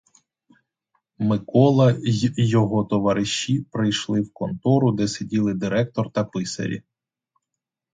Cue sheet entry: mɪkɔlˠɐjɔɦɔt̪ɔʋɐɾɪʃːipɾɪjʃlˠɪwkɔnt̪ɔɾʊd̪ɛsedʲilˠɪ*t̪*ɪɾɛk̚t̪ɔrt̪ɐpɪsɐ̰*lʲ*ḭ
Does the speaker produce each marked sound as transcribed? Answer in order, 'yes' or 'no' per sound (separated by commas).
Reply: no, no